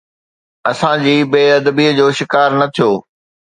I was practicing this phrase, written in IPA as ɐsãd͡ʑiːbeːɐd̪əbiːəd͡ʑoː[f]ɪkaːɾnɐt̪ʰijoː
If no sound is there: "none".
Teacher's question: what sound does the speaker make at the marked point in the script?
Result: ʃ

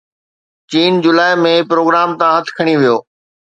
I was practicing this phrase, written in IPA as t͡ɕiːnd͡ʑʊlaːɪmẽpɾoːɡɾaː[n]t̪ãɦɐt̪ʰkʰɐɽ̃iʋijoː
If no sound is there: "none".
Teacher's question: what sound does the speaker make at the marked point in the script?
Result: m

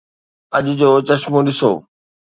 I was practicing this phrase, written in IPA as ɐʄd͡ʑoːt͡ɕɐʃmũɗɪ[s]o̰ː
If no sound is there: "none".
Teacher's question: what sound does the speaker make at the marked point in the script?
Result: s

